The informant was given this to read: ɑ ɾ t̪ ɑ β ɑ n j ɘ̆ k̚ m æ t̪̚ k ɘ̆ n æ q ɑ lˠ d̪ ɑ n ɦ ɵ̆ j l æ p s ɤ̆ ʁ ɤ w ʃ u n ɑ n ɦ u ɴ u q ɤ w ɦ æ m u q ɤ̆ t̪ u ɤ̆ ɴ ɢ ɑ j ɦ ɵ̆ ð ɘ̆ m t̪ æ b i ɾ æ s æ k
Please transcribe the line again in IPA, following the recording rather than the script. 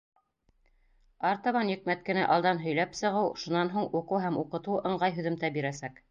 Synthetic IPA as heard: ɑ ɾ t̪ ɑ β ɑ n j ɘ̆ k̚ m æ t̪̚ k ɘ̆ n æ ʔ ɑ lˠ d̪ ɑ n ɦ ɵ̆ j l æ p s ɤ̆ ʁ ɤ w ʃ u n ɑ n ɦ u ɴ u q ɤ w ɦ æ m u q ɤ̆ t̪ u ɤ̆ ɴ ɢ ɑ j ɦ ɵ̆ ð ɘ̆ m t̪ æ b i ɾ æ s æ k